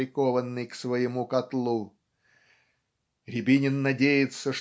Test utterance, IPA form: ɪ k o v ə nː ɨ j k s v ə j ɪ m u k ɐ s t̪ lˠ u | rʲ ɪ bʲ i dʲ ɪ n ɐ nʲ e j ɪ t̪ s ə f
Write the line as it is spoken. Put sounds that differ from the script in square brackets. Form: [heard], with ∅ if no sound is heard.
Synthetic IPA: ɪ k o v ə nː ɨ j k s v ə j ɪ m u k ɐ [∅] t̪ lˠ u | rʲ ɪ bʲ i [nʲ] ɪ [nː] ɐ [dʲ] e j ɪ t̪ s ə [ʂ]